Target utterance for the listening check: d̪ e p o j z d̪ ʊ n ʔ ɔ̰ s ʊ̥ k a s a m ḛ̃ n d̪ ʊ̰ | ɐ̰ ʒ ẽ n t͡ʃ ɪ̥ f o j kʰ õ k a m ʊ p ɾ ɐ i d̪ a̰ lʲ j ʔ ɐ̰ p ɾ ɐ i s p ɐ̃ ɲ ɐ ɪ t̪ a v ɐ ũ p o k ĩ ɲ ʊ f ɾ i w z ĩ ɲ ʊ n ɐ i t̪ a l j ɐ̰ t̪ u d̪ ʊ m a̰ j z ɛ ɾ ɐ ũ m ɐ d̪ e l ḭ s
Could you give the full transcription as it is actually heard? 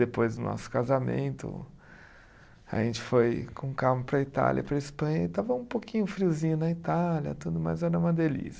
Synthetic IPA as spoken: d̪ e p o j z d̪ ʊ n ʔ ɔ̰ s ʊ̥ k a z a m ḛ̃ n t̪ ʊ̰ | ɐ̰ ʒ ẽ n t͡ʃ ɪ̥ f o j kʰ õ k a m ʊ p ɾ ɐ i t̪ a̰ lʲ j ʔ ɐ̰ p ɾ ɐ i s p ɐ̃ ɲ ɐ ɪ t̪ a v ɐ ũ p o k ĩ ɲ ʊ f ɾ i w z ĩ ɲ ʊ n ɐ i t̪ a l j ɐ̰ t̪ u d̪ ʊ m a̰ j z ɛ ɾ ɐ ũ m ɐ d̪ e l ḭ s